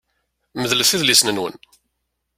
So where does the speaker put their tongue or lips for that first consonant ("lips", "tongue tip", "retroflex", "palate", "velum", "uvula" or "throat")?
lips